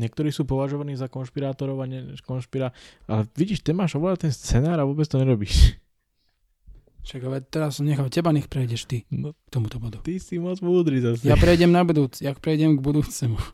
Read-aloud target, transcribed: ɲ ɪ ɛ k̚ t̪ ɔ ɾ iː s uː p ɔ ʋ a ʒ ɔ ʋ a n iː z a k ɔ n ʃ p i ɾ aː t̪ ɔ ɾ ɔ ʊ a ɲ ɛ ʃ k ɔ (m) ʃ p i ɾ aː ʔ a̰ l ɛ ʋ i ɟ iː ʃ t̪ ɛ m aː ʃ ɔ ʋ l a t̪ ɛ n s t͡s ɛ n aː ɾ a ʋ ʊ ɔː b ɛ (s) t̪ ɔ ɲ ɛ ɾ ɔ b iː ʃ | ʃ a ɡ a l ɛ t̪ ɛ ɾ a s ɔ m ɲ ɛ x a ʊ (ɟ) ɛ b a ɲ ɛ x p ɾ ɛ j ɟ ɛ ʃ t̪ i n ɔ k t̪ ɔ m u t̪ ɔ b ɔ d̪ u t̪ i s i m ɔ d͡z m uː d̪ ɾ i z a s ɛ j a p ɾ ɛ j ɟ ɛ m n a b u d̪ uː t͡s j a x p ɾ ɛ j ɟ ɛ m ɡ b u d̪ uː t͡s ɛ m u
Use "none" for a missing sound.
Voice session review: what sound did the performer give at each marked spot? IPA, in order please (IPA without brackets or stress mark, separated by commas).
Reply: n, t͡s, c